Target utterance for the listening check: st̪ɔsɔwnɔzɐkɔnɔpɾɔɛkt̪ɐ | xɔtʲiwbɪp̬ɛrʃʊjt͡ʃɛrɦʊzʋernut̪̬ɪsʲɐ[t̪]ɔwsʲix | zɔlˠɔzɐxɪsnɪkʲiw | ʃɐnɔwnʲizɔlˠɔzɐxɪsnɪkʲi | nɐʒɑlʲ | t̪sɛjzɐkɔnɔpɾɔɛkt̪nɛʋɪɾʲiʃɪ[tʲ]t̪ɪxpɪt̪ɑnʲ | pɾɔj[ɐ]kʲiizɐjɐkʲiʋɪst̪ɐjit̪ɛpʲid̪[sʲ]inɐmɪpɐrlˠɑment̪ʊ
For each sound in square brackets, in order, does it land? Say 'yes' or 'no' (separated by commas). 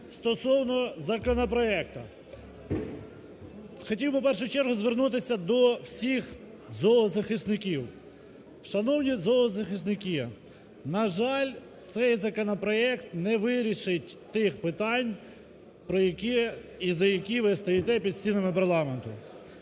no, yes, yes, yes